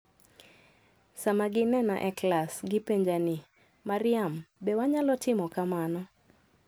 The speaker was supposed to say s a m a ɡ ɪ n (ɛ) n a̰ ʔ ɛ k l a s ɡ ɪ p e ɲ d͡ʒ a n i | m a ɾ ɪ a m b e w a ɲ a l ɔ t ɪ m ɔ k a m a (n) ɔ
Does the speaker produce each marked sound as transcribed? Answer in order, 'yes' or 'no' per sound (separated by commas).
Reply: yes, yes